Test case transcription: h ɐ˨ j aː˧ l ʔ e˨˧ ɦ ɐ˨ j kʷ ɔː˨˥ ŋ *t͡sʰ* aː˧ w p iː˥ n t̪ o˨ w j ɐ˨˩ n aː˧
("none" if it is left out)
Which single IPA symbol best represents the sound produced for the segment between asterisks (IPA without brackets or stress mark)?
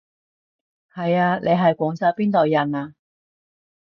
t͡s